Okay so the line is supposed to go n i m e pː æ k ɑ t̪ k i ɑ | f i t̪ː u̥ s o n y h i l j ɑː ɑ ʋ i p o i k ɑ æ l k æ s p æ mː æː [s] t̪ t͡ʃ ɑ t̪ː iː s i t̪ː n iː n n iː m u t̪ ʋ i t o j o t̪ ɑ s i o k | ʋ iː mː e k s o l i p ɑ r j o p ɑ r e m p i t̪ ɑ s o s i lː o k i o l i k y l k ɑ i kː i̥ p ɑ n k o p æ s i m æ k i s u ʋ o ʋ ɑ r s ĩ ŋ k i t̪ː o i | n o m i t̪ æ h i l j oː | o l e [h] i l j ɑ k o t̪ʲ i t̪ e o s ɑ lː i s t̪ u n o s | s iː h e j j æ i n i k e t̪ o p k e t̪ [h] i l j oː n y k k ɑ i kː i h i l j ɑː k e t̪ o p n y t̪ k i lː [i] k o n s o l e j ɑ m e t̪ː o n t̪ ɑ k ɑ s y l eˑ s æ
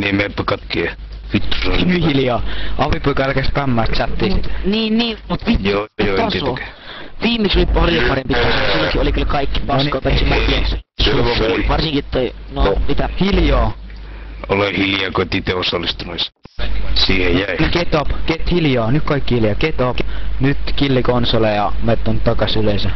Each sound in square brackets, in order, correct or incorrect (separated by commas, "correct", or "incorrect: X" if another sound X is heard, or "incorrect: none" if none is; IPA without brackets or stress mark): correct, correct, correct, correct